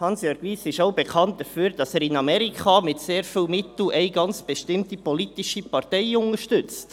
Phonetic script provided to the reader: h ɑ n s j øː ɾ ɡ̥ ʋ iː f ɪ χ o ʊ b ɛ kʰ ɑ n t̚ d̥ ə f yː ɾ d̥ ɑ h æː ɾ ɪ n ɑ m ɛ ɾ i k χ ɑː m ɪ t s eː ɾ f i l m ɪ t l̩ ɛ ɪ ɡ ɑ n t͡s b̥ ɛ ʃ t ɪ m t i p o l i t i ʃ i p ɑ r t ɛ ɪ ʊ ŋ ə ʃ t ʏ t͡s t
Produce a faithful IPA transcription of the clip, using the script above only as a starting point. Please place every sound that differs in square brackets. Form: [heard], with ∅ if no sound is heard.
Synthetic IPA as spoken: h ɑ n s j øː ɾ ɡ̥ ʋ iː [s] ɪ [ʃ] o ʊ b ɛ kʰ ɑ n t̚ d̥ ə f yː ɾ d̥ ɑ [s] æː ɾ ɪ n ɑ m ɛ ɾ i k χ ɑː m ɪ t s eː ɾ f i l m ɪ t l̩ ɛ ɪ ɡ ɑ n t͡s b̥ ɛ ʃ t ɪ m t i p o l i t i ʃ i p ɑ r t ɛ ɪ ʊ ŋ ə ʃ t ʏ t͡s t